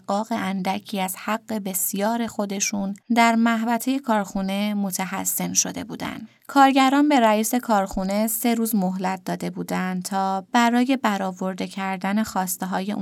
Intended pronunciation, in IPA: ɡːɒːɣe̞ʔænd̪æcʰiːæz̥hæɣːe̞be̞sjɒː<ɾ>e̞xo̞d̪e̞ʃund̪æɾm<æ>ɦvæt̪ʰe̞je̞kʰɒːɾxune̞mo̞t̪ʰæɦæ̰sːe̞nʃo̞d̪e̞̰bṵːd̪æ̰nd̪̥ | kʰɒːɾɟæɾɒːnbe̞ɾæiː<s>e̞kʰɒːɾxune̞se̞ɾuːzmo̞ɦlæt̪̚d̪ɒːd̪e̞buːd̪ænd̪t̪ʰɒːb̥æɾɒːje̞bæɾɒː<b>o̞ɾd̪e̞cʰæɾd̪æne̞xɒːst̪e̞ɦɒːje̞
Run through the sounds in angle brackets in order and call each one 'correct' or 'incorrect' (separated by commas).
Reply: correct, correct, correct, incorrect